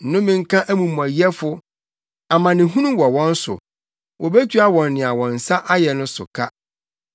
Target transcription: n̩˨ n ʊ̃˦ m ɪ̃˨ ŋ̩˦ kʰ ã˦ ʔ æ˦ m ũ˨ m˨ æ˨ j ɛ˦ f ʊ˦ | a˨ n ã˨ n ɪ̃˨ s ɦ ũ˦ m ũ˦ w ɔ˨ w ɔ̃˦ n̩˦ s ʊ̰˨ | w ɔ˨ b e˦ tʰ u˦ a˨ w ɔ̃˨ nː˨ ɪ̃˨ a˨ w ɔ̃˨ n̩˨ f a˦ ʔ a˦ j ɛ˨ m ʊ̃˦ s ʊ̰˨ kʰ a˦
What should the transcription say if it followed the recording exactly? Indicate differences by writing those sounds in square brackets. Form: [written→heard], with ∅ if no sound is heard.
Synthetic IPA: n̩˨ n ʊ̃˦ m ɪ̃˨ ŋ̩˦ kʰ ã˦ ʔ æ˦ m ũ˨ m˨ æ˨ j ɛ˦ f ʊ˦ | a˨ [n→m] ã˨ n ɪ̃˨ [s→∅] ɦ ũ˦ [m→n] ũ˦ w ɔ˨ w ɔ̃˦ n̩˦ s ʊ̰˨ | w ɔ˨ b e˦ tʰ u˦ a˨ w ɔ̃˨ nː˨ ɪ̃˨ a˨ w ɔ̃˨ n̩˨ [f→s] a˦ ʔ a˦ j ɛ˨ [m→n] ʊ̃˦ s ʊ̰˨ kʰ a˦